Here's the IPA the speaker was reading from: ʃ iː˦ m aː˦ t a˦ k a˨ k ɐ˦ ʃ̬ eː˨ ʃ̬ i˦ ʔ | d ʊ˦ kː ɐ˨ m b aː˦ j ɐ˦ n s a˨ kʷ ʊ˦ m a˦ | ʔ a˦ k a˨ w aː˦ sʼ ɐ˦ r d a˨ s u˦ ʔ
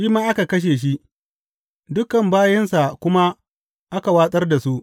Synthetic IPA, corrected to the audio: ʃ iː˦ m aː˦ ʔ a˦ k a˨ k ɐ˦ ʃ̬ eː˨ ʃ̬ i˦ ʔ | d ʊ˦ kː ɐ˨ m b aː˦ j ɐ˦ n s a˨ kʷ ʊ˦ m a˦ | ʔ a˦ k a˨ w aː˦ sʼ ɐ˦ r d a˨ s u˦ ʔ